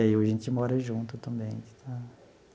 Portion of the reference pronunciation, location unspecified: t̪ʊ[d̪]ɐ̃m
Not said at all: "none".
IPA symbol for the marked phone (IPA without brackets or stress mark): t̪